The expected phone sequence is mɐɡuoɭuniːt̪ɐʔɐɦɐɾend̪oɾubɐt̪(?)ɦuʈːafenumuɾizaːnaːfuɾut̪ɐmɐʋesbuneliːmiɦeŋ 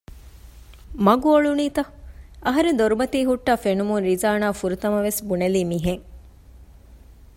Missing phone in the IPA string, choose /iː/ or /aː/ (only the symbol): iː